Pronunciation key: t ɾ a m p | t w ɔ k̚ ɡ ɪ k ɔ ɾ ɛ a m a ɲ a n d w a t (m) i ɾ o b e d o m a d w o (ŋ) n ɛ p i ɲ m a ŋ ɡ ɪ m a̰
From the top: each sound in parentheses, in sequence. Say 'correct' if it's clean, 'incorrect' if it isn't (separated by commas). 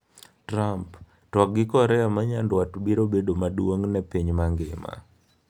incorrect, correct